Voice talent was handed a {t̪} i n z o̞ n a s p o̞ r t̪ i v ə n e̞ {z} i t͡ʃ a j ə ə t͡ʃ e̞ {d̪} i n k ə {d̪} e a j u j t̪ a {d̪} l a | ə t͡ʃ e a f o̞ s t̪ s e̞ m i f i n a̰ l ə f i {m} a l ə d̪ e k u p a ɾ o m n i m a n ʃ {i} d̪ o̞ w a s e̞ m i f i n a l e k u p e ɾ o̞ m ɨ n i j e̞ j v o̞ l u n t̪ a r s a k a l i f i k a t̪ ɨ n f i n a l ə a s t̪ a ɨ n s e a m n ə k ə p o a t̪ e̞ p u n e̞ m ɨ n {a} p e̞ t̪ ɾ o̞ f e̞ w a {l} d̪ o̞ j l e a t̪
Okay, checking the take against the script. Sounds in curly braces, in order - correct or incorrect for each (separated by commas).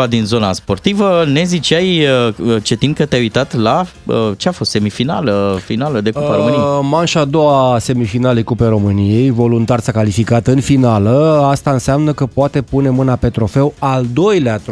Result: incorrect, correct, incorrect, incorrect, incorrect, incorrect, incorrect, correct, correct